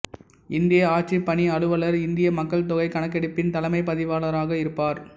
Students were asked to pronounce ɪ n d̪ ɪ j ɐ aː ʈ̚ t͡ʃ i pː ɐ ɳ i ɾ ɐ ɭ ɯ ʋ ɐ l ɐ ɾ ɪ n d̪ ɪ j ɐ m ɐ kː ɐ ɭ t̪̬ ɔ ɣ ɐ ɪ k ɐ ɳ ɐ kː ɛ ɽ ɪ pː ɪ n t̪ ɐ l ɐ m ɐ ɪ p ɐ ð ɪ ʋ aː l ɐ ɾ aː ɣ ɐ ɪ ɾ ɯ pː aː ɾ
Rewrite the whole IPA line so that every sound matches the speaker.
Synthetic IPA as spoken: ɪ n d̪ ɪ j ɐ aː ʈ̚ t͡ʃ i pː ɐ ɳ i ɐ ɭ ɯ ʋ ɐ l ɐ ɾ ɪ n d̪ ɪ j ɐ m ɐ kː ɐ ɭ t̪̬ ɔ ɣ ɐ ɪ k ɐ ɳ ɐ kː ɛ ɽ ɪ pː ɪ n t̪ ɐ l ɐ m ɐ ɪ p ɐ ð ɪ ʋ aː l ɐ ɾ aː ɣ ɐ ɪ ɾ ɯ pː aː ɾ